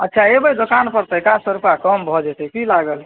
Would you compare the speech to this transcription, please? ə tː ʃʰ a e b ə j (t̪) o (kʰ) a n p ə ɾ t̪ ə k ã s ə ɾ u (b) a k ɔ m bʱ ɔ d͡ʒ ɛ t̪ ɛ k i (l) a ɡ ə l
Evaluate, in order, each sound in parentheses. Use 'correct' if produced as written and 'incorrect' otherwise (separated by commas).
incorrect, incorrect, incorrect, correct